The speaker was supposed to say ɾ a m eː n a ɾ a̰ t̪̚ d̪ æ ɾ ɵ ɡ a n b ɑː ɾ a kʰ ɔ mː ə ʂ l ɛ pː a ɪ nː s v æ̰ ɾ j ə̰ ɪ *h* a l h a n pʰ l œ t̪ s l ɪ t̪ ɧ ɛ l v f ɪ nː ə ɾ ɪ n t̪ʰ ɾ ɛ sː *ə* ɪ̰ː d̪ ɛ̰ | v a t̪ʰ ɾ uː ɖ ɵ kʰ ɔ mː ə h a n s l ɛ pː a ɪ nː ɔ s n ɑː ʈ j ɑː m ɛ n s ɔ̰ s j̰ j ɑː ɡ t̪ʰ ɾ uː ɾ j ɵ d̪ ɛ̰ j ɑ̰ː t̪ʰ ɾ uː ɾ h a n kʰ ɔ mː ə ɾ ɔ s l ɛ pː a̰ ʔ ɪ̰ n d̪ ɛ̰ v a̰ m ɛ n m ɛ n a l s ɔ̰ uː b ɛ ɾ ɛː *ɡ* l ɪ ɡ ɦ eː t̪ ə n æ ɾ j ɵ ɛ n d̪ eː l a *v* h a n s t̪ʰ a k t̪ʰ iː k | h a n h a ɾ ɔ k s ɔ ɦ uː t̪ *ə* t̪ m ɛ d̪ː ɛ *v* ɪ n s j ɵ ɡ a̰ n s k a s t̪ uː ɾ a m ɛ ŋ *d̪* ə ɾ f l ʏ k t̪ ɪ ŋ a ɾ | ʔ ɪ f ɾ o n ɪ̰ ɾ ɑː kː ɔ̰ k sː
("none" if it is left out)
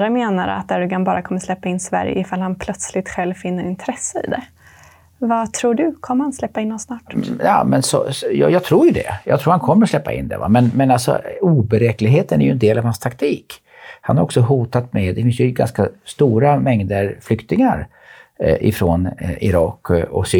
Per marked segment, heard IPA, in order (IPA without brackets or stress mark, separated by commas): f, ə, k, v, a, f, d̪